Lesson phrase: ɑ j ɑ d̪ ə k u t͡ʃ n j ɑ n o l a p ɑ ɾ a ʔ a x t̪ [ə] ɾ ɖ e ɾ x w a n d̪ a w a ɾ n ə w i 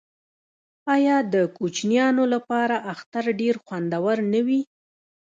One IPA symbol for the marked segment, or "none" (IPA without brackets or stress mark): a